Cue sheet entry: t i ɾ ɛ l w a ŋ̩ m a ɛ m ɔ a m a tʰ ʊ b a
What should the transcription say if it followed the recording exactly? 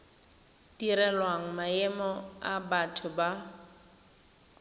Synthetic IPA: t i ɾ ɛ l w a ŋ̩ m a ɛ m ɔ a b a tʰ ʊ b a